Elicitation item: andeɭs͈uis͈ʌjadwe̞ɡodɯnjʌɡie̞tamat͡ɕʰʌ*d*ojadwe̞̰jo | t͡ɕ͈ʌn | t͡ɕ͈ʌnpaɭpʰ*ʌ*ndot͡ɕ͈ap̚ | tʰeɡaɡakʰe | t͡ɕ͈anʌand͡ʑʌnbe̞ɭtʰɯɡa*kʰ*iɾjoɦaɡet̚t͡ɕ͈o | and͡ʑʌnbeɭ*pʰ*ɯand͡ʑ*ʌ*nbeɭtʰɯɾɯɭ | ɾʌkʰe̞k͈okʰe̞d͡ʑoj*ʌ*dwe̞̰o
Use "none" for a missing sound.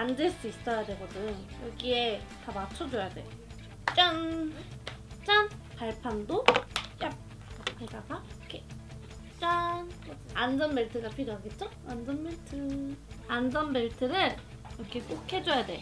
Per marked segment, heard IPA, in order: d͡ʑ, a, pʰ, tʰ, ʌ, a

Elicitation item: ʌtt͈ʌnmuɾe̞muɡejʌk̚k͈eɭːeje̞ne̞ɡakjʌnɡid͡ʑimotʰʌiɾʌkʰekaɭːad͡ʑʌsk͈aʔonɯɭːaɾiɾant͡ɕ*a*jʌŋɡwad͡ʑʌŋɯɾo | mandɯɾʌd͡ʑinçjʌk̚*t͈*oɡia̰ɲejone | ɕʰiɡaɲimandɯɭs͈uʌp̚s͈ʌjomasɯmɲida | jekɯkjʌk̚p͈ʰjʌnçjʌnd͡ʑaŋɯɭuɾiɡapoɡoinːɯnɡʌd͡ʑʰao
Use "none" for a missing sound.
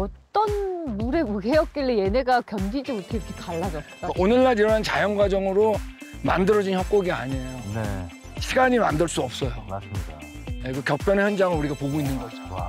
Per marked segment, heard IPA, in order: a, k͈

